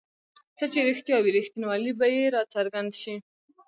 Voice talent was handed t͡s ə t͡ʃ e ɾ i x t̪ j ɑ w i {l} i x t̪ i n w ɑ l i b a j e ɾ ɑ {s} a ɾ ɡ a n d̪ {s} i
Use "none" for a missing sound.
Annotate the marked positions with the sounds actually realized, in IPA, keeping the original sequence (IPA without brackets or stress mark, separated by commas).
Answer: ɾ, t͡s, ʃ